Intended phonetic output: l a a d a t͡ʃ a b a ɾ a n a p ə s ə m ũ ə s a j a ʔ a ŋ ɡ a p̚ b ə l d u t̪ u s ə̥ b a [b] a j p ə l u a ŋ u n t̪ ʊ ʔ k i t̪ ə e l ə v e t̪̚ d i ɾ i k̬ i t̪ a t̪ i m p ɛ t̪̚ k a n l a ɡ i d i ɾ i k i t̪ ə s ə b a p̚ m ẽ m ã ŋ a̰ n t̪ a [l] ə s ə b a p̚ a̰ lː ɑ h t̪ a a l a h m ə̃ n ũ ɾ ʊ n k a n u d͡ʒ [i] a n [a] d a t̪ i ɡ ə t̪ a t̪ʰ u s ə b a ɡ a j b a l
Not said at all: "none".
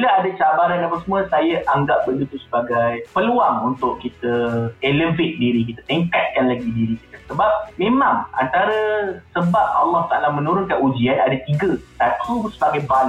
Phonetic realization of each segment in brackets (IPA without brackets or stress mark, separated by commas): ɡ, ɾ, i, a